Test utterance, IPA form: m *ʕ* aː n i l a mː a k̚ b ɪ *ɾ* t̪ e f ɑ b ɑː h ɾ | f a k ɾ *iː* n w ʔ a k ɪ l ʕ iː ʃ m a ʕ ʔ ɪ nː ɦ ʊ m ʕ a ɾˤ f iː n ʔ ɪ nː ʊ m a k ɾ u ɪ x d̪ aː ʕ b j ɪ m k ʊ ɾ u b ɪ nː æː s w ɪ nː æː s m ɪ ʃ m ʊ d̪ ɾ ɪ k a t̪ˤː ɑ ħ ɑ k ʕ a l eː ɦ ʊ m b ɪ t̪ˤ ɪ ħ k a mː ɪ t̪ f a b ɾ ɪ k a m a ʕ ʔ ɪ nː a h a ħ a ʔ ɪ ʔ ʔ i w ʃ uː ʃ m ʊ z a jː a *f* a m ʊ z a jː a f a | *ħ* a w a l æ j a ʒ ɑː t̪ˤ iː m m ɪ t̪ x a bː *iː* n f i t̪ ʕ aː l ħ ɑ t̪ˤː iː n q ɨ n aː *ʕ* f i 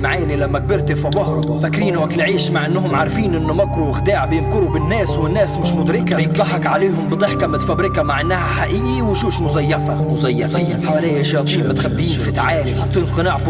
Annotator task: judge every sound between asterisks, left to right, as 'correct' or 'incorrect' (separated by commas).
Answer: correct, correct, correct, correct, correct, correct, correct